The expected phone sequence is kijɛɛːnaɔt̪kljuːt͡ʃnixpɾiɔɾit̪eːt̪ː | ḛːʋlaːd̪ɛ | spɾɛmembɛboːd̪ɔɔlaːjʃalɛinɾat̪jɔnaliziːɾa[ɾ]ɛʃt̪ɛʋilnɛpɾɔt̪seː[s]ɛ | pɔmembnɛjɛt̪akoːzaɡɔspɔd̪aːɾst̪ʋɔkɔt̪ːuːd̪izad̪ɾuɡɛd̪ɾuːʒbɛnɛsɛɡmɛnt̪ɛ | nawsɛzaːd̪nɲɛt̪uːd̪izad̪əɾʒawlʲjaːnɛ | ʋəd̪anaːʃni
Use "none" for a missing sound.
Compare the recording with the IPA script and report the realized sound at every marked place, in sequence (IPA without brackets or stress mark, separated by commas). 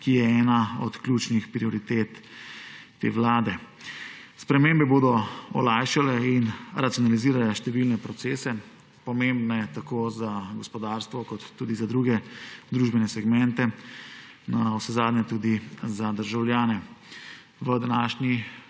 l, s